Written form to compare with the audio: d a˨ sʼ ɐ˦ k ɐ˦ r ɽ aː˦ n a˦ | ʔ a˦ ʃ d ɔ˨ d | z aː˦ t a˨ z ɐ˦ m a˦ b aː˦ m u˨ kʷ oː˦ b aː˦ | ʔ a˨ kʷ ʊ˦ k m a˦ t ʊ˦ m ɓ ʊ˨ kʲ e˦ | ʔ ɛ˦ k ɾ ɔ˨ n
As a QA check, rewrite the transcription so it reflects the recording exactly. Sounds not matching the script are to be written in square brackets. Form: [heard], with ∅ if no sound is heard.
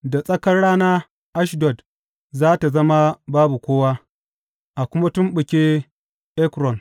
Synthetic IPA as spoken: d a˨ sʼ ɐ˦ k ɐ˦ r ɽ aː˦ n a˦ | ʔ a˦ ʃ d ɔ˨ d | z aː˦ t a˨ z ɐ˦ m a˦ b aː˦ [b] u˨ kʷ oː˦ [w] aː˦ | ʔ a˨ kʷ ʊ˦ [∅] m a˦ t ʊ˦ m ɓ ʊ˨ kʲ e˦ | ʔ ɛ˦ k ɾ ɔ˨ n